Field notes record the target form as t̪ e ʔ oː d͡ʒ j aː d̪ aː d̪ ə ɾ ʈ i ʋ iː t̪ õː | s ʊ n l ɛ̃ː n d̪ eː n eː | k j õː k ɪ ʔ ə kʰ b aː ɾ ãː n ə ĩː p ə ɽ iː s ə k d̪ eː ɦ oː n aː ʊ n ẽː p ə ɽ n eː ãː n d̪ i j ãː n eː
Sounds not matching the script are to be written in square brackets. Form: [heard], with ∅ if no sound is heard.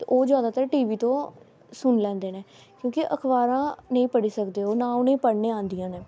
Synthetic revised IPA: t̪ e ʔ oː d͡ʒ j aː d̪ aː [t̪] ə ɾ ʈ [iː] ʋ iː t̪ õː | s ʊ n l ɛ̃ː n d̪ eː n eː | k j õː k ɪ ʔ ə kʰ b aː ɾ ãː n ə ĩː p ə ɽ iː s ə k d̪ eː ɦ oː n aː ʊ n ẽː p ə ɽ n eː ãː n d̪ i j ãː n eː